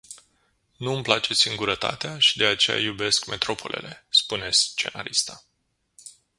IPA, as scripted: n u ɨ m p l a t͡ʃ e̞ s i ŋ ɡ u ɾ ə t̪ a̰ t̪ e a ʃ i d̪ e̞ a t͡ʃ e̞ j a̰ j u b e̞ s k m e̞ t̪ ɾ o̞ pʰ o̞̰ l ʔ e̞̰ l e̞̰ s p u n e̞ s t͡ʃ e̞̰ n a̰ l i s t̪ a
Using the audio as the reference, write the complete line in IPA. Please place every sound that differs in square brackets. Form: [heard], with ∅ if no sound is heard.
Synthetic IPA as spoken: n u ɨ m p l a t͡ʃ e̞ s i ŋ ɡ u ɾ ə t̪ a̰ t̪ e a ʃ i d̪ e̞ a t͡ʃ e̞ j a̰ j u b e̞ s k m e̞ t̪ ɾ o̞ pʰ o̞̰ l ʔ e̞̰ l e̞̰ s p u n e̞ s t͡ʃ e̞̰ n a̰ [ɾ] i s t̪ a